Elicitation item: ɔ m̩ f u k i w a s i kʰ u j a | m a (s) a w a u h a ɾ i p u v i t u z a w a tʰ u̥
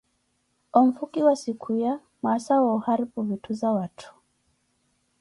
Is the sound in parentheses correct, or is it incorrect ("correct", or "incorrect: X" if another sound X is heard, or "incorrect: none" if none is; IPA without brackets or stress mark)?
correct